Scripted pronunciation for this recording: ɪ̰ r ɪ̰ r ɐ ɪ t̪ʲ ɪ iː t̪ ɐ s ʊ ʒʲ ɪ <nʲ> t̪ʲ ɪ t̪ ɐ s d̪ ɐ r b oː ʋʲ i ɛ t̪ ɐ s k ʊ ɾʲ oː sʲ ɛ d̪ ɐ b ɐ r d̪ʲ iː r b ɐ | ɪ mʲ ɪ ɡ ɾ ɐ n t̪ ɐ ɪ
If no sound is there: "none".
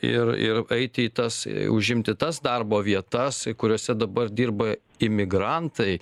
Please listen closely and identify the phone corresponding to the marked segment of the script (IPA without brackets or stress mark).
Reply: mʲ